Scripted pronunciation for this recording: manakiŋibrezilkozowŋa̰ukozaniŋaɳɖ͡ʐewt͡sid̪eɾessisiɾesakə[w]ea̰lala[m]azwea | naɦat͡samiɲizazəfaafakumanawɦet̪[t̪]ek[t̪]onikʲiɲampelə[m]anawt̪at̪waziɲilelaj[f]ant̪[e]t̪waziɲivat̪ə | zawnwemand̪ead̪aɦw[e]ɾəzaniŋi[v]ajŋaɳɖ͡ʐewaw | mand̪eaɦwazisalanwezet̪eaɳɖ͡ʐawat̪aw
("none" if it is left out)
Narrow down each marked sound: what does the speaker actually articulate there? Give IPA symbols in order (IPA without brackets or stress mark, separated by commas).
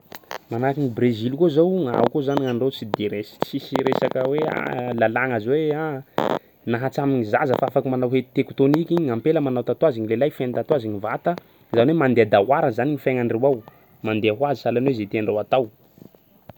w, ŋ, t̪, t̪, m, f, a, a, f